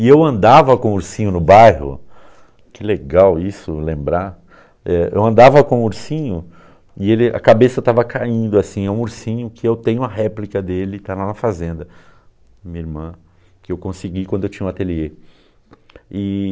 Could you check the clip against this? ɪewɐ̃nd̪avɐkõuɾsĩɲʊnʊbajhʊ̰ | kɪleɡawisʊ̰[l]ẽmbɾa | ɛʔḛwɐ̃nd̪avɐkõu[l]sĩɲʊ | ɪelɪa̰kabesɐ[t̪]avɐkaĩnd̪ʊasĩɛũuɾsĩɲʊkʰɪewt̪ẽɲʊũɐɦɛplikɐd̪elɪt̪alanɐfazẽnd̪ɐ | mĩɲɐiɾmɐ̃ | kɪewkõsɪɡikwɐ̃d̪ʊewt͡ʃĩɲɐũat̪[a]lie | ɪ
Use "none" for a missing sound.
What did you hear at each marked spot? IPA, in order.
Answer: l, ɾ, t̪, e

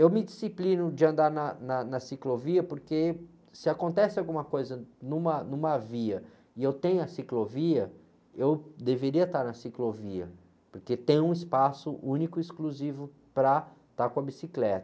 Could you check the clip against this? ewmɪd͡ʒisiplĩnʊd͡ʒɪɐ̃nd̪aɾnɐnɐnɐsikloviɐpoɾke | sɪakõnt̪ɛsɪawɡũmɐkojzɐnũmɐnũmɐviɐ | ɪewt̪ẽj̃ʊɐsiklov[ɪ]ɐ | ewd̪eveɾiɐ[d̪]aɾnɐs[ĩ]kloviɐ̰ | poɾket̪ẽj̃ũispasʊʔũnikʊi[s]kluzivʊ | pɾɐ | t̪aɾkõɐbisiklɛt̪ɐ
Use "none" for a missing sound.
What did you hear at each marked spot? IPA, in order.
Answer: i, t̪, i, s

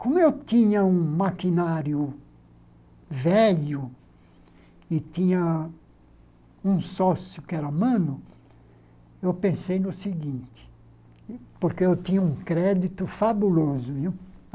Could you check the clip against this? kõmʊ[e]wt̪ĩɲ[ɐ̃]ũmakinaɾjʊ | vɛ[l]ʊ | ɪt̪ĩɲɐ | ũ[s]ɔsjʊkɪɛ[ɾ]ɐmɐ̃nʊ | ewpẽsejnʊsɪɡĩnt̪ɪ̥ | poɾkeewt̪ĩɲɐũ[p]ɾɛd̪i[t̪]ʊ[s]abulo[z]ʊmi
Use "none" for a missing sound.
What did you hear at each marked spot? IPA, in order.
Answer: e, ɐ, ʎ, s, ɾ, k, t̪, f, z

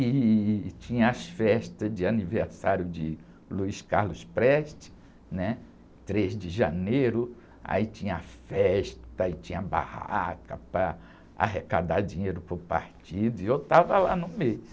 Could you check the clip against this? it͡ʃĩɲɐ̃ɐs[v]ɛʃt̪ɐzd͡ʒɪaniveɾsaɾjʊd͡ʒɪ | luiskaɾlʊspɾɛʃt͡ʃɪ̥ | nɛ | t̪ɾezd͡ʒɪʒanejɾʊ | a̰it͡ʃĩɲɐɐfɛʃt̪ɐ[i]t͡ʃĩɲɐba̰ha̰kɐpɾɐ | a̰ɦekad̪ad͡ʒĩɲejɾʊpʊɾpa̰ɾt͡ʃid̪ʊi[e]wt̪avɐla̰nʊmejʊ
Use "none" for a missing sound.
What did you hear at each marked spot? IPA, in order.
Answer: f, i, e

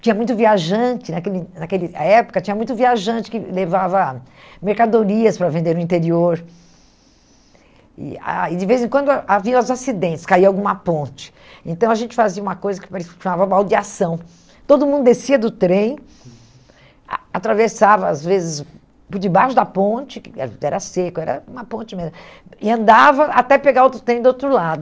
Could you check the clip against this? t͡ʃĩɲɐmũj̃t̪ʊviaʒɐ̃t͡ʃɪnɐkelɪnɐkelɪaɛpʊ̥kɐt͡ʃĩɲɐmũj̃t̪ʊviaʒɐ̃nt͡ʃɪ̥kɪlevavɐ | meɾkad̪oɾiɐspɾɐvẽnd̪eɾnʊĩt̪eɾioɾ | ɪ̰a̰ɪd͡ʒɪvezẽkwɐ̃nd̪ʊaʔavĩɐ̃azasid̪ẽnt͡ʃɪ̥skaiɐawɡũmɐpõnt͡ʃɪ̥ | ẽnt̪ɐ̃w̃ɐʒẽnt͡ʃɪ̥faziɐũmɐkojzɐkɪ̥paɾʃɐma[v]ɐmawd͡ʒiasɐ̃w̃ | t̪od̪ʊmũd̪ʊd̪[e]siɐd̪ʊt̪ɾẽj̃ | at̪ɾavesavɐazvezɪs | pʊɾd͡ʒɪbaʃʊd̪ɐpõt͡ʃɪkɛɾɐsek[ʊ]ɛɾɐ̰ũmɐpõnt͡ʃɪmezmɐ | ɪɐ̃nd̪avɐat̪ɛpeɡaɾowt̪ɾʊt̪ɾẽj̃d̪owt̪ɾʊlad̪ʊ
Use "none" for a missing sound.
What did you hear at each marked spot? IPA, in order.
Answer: v, e, ʊ

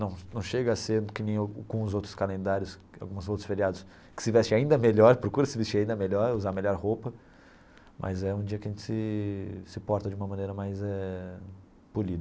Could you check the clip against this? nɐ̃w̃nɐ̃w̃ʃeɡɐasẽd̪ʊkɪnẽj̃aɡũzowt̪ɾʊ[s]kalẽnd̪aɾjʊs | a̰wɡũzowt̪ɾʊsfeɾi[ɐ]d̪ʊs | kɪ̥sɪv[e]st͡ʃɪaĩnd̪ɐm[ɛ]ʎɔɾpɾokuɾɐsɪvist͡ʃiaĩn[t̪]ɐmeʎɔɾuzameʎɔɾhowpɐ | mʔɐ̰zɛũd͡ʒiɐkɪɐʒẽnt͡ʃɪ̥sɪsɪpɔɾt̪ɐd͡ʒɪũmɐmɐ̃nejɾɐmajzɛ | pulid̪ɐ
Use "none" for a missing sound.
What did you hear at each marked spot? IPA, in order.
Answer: s, a, ɛ, e, d̪

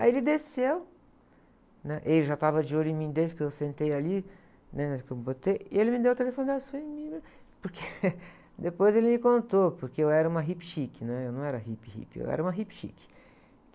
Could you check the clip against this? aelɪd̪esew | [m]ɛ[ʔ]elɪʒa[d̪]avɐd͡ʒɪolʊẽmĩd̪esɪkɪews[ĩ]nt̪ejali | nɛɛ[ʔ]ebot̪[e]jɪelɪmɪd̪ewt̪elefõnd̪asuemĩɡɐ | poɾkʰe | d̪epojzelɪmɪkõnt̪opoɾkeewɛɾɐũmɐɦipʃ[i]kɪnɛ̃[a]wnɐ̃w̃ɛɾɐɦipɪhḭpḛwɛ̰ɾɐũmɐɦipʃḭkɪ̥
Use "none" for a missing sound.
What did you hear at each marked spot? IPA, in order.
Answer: n, ʔ, t̪, ẽ, k, e, i, e

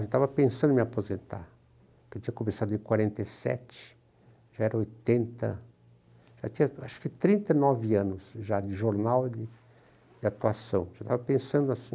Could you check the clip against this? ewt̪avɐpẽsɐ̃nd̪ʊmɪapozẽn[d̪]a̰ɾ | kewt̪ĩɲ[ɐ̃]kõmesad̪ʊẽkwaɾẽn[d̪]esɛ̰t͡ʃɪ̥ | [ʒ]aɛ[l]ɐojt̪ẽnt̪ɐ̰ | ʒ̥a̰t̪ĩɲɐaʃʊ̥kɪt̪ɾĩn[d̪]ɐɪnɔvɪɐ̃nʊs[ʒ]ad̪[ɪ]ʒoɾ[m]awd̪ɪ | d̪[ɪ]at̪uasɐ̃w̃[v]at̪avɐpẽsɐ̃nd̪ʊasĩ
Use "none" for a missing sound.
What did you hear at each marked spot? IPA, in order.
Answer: t̪, ɐ, t̪, ʒ, ɾ, t̪, ʒ, ɪ, n, ɪ, ʒ

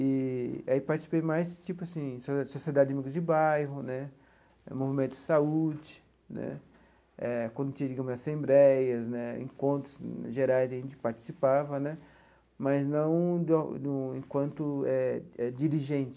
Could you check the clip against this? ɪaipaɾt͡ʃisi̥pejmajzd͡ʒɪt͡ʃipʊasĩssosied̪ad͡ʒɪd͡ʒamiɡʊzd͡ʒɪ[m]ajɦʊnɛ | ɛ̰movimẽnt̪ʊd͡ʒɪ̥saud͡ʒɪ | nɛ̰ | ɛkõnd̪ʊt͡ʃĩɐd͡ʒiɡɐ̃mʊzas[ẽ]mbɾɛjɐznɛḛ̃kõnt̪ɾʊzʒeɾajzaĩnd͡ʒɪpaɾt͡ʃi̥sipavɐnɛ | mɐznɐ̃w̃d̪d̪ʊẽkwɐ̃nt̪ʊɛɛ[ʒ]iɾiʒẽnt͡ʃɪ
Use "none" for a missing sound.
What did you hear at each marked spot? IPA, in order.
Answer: b, ẽ, d͡ʒ

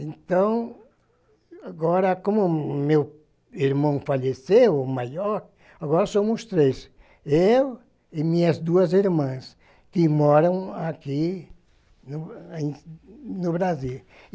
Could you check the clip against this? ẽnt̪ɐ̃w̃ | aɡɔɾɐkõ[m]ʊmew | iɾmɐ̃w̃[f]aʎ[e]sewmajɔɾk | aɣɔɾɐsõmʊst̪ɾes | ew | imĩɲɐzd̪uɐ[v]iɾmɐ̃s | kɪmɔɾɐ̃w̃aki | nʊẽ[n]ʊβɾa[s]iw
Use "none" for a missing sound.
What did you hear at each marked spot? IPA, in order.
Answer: m, f, e, z, n, z

